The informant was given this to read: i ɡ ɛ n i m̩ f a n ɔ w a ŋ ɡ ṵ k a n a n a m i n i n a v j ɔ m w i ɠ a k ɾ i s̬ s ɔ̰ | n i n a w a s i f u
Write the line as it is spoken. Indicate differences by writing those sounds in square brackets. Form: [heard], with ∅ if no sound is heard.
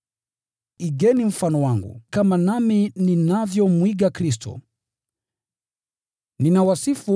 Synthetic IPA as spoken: i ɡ ɛ n i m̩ f a n ɔ w a ŋ ɡ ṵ k a [m] a n a m i n i n a v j ɔ m w i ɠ a k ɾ i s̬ [t] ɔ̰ | n i n a w a s i f u